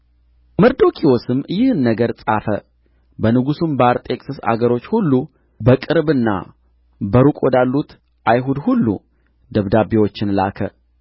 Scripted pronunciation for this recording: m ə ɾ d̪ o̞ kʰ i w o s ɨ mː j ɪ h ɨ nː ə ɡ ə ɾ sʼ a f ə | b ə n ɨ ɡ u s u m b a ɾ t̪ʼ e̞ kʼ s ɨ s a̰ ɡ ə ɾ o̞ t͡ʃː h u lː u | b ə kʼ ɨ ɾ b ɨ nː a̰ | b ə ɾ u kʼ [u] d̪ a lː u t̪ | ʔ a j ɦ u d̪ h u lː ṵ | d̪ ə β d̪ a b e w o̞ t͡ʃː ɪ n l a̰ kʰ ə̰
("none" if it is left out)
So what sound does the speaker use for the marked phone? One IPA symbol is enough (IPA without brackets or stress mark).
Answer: o